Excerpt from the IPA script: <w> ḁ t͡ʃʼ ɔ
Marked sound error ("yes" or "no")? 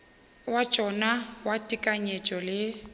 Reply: no